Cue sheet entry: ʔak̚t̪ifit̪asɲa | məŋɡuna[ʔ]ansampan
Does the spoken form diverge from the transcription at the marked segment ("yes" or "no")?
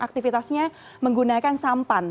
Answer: yes